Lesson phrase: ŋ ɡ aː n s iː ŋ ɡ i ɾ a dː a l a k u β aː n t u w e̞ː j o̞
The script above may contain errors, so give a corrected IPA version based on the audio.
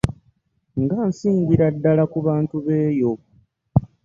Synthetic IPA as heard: ŋ ɡ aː n s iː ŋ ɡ i ɾ a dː a l a k u β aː n t u β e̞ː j o̞